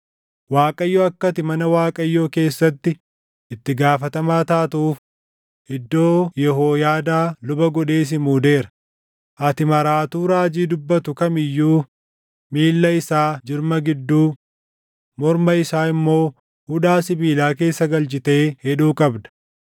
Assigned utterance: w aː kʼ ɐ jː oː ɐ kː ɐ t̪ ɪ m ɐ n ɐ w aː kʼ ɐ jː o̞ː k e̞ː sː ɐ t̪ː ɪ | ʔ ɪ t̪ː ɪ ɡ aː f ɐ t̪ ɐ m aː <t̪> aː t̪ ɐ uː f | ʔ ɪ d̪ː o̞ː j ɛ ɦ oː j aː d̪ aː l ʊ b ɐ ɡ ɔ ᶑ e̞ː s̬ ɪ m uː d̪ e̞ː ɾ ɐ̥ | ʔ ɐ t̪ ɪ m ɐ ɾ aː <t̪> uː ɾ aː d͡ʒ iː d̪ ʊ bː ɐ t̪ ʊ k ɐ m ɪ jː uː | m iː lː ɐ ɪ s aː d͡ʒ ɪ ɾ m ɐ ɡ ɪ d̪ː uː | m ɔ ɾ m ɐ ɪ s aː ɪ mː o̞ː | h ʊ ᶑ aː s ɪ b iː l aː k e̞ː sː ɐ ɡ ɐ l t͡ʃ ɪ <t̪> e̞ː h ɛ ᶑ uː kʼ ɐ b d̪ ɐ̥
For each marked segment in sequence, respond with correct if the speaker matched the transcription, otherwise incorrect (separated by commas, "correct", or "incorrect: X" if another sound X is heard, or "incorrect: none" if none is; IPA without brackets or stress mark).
correct, correct, correct